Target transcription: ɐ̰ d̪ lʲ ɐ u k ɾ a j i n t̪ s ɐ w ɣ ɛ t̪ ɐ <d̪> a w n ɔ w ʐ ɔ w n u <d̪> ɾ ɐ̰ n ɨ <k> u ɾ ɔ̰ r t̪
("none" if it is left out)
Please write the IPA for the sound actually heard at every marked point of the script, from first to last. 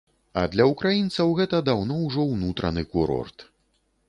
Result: d̪, t̪, k

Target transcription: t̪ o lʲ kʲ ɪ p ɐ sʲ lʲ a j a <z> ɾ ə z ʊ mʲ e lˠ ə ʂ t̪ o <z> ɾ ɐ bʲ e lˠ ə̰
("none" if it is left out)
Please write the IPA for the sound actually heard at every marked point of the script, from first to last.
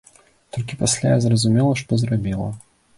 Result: z, z

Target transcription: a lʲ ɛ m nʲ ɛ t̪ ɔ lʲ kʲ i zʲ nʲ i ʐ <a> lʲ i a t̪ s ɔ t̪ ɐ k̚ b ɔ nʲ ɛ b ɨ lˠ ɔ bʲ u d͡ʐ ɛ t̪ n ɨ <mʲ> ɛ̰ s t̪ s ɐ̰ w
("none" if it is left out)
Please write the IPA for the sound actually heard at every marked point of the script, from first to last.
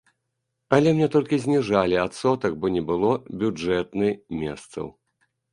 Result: a, mʲ

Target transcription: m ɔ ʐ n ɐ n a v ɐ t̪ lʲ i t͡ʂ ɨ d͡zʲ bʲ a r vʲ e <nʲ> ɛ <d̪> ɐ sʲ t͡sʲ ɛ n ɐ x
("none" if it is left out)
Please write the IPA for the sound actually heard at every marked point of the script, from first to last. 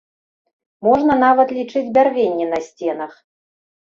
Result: nʲː, n̪

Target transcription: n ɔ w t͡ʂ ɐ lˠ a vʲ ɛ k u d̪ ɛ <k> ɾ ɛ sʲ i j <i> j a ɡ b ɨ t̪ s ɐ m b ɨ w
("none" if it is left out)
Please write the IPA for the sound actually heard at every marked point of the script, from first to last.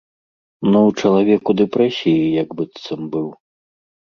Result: p, i

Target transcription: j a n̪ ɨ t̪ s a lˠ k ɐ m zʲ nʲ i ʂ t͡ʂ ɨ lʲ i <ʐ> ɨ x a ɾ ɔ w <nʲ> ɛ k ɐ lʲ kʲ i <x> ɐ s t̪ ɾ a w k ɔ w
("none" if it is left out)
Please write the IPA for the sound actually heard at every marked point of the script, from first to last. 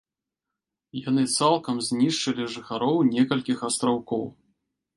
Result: ʐ, nʲ, x

